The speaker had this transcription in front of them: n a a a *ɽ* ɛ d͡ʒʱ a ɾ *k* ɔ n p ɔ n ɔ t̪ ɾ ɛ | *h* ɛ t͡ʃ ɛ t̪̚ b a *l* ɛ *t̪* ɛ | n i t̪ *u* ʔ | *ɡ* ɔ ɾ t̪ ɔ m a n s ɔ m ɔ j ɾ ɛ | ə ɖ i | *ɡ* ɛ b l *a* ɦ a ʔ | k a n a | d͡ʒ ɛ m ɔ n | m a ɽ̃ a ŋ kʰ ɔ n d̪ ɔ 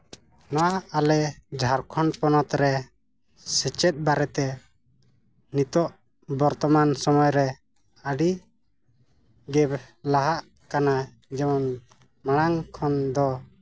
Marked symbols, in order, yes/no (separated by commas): no, no, no, no, yes, no, no, yes, yes